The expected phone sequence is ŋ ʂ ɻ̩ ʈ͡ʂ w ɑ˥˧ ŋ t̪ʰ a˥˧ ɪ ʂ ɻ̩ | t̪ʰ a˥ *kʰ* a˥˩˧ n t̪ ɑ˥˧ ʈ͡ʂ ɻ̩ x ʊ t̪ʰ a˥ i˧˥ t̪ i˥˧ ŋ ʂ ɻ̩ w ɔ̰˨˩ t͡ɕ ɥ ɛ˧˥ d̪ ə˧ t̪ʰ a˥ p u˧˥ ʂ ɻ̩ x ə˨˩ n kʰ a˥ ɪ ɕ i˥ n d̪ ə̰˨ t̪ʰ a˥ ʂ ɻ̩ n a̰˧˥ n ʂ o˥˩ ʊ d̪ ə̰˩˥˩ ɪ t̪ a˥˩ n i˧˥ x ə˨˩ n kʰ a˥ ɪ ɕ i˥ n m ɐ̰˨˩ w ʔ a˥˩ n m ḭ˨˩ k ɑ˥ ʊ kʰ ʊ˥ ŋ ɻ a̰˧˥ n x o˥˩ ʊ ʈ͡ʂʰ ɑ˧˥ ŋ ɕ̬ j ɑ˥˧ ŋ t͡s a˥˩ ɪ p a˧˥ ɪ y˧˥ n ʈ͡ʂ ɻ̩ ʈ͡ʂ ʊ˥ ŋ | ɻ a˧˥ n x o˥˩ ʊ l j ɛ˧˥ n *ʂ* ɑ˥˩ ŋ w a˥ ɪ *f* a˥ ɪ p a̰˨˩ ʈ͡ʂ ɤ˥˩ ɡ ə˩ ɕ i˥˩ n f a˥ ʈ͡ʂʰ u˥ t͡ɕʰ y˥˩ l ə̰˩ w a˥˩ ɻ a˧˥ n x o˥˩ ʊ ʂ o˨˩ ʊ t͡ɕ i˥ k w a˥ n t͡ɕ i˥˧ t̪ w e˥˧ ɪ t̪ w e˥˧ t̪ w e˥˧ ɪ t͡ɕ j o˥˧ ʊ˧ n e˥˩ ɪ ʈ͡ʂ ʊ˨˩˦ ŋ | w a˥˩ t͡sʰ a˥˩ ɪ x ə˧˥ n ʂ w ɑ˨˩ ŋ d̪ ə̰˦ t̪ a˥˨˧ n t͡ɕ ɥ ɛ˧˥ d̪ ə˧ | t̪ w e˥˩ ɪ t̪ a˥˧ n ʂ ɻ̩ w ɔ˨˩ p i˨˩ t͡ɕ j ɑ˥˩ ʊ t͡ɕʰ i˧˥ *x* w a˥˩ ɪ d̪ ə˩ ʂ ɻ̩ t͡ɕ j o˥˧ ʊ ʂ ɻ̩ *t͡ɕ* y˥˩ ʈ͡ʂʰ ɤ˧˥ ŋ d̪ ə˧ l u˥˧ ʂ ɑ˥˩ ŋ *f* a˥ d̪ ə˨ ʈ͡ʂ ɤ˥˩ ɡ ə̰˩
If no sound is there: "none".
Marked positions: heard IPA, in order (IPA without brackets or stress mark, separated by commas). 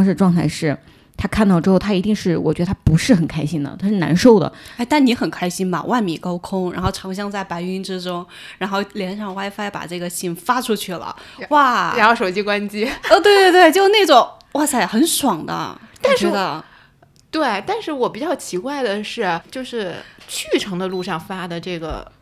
kʰ, ʂ, f, k, t͡ɕʰ, f